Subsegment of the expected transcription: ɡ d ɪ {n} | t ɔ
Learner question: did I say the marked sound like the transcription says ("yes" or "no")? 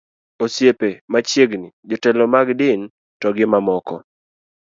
yes